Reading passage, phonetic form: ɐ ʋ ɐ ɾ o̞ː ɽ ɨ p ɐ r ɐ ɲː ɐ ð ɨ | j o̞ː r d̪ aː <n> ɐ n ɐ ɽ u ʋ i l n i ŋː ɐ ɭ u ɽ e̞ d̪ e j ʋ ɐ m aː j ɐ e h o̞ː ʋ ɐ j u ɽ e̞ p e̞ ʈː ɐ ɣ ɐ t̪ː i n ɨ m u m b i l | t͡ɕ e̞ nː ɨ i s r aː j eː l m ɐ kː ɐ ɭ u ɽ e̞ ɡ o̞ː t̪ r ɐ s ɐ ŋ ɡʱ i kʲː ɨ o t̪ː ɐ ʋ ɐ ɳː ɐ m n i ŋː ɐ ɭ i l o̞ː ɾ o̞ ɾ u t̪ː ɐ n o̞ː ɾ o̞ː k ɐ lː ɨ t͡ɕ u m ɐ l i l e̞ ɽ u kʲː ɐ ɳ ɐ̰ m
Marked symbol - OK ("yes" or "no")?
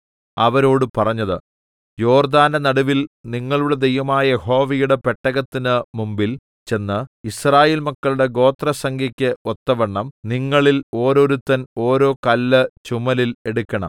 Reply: yes